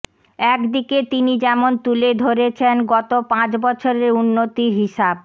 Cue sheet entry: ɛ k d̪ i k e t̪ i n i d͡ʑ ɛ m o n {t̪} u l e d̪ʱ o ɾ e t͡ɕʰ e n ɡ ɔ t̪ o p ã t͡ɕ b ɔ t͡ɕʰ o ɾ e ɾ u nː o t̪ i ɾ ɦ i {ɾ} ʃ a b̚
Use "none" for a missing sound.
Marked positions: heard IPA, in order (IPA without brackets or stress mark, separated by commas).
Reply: t̪, none